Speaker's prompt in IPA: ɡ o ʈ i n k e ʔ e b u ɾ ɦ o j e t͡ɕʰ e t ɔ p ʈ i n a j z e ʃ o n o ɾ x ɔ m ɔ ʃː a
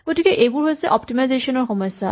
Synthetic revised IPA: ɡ o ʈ i k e ʔ e b u ɾ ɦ o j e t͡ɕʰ e ʔ ɔ p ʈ i m a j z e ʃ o n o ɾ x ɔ m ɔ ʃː a